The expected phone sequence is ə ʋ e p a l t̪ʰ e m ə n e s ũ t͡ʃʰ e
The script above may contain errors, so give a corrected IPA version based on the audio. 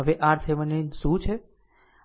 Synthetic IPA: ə ʋ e ʔ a ɾ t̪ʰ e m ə n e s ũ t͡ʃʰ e